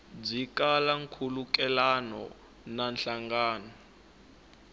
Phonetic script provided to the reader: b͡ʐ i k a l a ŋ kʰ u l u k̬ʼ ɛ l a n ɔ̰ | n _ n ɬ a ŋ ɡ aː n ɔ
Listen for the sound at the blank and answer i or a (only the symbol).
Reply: a